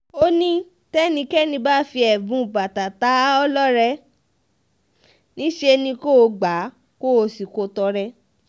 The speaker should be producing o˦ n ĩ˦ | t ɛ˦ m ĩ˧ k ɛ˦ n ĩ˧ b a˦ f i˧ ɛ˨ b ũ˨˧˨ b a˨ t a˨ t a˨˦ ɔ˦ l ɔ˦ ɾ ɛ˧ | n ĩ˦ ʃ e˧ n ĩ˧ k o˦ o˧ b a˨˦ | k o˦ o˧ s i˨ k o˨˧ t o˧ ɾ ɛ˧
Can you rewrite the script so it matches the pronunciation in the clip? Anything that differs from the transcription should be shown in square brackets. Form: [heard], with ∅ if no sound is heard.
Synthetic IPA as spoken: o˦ n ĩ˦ | t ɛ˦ [n] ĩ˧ k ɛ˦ n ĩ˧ b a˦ f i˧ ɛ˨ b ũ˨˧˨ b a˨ t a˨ t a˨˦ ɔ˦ l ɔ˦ ɾ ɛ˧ | n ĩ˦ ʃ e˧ n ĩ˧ k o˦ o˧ [ɡ͡b] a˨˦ | k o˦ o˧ s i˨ k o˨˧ t [ɔ˧] ɾ ɛ˧